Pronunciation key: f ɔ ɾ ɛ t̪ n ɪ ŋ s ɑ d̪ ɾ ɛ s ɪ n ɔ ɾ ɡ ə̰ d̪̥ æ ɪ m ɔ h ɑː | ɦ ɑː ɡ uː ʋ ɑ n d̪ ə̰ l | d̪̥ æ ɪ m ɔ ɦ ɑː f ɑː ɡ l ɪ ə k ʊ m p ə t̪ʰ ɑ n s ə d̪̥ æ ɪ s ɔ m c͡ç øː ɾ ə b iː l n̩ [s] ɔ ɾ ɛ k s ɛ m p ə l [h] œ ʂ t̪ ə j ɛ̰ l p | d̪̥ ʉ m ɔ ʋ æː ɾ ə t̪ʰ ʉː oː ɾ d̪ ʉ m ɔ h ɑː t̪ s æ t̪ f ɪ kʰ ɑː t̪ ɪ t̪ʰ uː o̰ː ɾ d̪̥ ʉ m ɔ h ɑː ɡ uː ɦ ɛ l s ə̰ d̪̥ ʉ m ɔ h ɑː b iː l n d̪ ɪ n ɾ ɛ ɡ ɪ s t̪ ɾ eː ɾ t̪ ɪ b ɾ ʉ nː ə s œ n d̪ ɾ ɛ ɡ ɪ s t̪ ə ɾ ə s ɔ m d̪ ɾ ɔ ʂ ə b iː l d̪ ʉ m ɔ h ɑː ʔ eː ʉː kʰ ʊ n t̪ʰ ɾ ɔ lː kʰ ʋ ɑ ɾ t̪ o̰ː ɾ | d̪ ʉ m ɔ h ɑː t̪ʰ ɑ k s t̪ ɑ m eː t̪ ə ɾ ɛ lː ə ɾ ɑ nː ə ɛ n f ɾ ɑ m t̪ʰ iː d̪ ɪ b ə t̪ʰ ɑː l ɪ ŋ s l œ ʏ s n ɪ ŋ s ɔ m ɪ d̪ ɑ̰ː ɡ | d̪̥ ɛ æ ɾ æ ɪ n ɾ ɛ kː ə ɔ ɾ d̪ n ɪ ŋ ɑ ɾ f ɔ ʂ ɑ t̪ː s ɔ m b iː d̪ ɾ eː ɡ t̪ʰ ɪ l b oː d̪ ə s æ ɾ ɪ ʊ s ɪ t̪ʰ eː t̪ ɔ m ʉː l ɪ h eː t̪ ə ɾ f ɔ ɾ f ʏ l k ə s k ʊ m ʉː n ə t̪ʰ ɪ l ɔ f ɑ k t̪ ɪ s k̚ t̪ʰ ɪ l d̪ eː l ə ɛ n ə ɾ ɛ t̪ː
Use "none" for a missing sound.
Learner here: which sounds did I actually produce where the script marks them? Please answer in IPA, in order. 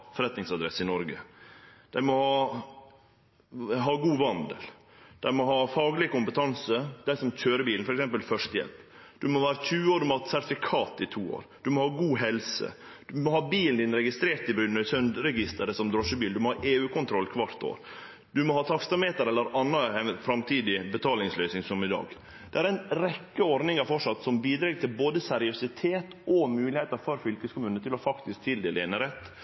f, f

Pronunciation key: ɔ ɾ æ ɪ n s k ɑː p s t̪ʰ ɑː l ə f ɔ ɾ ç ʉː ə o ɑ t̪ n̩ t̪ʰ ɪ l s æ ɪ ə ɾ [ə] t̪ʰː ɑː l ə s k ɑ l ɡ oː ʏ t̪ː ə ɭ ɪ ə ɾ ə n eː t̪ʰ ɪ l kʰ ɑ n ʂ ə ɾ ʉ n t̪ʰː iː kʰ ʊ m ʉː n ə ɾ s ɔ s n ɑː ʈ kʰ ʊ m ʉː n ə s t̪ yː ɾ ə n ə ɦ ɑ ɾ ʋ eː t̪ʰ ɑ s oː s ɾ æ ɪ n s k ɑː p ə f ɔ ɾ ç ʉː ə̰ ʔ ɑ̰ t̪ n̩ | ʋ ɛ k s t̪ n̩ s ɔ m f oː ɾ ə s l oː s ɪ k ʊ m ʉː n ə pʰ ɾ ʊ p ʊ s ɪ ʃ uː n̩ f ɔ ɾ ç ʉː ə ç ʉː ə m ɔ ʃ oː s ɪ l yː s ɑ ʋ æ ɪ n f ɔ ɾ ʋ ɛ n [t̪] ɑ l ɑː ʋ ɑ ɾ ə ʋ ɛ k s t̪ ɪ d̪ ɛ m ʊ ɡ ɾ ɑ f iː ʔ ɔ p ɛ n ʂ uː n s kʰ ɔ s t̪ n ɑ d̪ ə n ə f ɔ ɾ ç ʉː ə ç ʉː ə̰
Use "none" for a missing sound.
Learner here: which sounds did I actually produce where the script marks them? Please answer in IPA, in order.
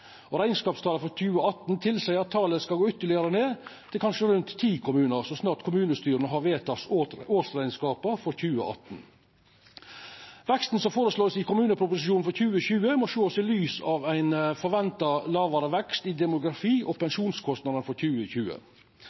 ɑ, t̪

